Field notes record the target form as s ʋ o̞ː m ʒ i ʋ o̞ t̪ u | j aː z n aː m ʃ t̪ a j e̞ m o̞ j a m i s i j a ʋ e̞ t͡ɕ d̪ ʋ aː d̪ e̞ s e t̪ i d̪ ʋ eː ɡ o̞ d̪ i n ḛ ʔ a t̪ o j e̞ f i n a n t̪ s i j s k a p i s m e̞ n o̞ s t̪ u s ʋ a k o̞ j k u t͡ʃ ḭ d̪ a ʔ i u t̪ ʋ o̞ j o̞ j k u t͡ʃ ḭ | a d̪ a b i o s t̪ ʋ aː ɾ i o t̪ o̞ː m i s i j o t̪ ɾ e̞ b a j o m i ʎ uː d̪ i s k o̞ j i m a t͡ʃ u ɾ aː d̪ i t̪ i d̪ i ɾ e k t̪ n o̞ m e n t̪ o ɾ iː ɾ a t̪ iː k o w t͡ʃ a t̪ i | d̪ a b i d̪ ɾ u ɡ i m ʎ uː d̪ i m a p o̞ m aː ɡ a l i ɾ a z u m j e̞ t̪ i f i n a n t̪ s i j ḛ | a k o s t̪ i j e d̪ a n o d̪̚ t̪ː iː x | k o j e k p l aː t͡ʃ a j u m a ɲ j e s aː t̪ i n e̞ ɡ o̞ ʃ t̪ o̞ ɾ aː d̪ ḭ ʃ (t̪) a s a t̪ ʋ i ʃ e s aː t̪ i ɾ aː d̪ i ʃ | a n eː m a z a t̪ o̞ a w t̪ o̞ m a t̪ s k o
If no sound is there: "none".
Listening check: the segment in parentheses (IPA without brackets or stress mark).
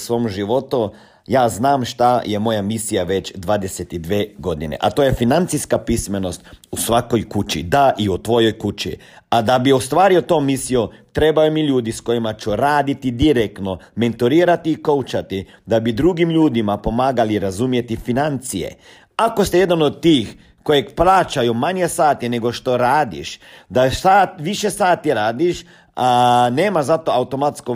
d̪